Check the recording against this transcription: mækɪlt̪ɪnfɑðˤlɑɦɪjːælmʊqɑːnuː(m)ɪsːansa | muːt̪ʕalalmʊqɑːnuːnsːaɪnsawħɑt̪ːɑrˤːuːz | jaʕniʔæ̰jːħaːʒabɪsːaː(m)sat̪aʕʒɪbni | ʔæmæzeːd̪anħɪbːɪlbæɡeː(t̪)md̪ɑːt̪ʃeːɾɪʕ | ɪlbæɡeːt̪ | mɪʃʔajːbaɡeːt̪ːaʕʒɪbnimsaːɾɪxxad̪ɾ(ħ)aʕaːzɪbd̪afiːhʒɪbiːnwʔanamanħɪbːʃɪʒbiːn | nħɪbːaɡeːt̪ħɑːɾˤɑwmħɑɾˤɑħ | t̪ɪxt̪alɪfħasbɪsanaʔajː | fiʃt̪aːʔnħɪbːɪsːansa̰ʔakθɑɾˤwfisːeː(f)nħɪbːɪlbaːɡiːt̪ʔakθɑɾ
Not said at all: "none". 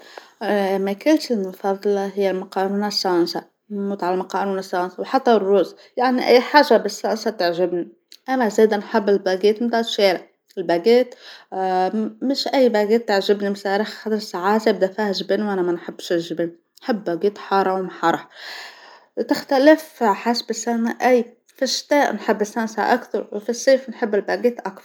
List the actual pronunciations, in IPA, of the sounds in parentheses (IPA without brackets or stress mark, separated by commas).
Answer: n, n, t̪, s, f